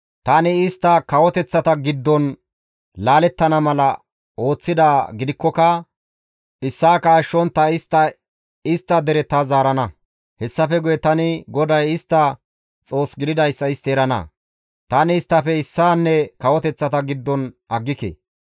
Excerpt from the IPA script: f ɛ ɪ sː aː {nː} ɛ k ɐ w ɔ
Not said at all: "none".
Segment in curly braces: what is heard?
nː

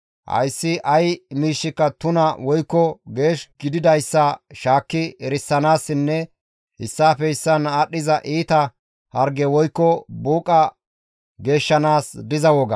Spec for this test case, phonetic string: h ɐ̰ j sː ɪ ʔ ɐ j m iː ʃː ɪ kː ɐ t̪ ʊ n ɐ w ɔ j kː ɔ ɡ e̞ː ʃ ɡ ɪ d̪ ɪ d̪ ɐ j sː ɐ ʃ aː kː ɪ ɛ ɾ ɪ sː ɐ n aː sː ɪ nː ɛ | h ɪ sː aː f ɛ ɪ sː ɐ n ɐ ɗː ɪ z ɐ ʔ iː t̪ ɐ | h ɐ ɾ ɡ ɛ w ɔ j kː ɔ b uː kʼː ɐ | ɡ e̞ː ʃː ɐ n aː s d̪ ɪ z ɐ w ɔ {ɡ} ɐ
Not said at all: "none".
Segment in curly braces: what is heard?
ɡ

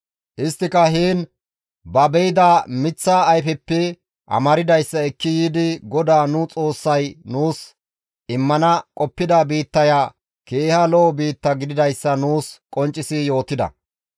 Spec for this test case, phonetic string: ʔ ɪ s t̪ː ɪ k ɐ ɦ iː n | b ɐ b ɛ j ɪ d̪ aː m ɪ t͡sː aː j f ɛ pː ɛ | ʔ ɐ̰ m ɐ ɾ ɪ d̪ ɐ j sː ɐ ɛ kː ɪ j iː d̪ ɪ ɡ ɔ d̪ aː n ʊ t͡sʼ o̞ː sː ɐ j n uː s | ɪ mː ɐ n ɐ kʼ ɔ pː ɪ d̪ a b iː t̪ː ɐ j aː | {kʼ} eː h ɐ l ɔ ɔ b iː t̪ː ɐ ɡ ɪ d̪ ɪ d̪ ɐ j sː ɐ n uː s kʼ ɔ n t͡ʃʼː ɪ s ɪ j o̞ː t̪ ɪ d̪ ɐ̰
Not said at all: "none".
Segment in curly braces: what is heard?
k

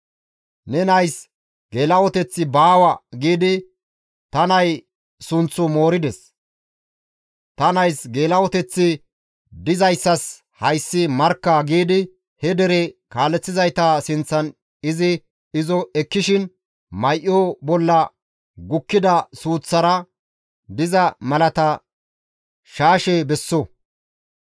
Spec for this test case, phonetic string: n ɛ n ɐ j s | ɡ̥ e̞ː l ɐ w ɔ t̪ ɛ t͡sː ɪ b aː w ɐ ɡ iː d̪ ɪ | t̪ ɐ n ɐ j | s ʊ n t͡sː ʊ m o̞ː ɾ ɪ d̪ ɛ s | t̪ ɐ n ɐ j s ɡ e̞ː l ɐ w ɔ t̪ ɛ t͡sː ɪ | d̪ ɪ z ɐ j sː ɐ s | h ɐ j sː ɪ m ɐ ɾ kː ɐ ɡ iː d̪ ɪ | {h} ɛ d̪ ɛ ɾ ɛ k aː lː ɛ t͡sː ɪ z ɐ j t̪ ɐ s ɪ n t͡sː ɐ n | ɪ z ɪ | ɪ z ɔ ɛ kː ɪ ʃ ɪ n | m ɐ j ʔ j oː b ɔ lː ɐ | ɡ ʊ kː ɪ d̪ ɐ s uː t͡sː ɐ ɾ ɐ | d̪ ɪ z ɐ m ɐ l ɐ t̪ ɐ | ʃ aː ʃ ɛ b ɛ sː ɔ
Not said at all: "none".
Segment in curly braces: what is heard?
h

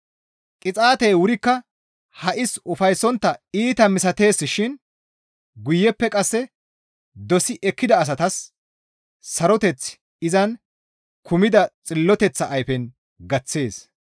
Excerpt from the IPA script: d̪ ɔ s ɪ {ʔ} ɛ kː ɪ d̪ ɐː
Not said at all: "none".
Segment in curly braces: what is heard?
ʔ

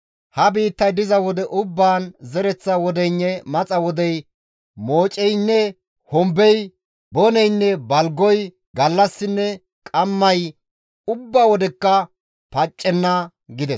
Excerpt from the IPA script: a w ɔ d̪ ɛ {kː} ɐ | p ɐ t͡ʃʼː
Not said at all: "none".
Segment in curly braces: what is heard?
kː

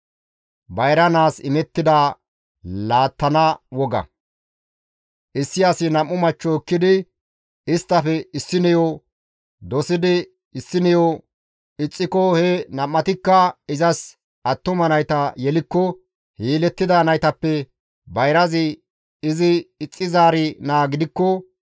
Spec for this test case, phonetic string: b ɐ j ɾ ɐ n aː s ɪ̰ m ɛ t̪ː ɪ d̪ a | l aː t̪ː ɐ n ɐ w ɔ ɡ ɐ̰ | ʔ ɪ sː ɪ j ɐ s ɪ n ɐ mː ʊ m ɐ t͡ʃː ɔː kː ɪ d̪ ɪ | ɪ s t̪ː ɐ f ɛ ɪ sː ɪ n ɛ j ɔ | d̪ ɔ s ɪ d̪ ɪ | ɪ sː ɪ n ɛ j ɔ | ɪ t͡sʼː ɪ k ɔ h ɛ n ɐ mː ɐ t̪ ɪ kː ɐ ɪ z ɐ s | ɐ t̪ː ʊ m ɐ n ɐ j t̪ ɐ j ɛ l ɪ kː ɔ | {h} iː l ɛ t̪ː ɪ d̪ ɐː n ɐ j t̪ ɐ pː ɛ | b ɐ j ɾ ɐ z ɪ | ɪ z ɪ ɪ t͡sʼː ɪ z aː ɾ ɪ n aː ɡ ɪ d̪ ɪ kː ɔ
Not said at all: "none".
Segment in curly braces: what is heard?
h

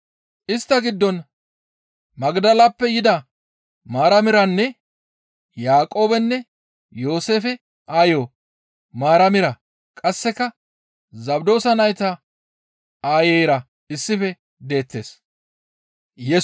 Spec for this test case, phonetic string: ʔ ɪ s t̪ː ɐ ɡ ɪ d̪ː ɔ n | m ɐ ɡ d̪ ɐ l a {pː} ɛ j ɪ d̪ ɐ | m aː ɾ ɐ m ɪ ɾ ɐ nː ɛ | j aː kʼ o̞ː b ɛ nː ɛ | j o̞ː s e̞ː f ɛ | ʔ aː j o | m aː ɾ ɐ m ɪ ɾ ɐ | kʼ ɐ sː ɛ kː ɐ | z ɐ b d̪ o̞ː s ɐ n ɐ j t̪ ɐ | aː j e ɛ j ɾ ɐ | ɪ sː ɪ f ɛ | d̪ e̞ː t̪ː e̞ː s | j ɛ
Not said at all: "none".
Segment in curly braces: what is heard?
pː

